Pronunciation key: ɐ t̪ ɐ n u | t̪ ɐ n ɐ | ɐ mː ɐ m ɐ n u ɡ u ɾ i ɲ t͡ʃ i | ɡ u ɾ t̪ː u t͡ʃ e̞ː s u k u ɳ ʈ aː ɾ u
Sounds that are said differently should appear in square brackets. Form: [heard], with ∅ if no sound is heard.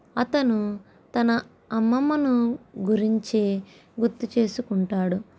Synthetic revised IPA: ɐ t̪ ɐ n u | t̪ ɐ n ɐ | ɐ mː ɐ m ɐ n u ɡ u ɾ i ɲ t͡ʃ i | ɡ u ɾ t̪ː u t͡ʃ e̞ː s u k u ɳ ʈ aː [ɽ] u